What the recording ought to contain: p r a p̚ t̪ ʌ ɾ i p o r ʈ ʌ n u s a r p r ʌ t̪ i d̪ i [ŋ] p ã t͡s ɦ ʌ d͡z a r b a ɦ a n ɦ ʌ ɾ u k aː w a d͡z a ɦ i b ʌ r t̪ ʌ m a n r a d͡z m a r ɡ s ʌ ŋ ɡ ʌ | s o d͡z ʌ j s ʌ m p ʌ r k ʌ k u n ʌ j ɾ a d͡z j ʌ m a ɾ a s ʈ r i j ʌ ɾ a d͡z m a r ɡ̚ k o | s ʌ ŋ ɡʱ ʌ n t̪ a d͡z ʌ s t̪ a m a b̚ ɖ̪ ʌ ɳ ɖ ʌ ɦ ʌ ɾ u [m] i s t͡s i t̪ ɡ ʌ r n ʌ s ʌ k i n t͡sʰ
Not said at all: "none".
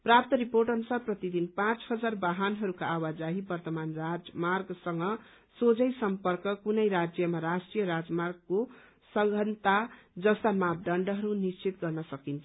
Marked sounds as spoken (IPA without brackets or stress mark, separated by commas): n, n